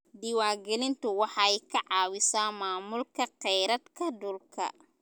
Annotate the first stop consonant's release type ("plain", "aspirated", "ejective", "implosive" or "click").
plain